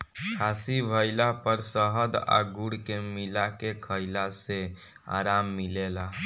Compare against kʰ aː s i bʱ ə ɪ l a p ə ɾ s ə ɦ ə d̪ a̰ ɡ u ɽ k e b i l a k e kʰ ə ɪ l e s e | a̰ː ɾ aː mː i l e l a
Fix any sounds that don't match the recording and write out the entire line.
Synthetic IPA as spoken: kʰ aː s i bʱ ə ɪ l a p ə ɾ s ə ɦ ə d̪ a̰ ɡ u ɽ k e m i l a k e kʰ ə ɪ l a s e | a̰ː ɾ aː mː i l e l a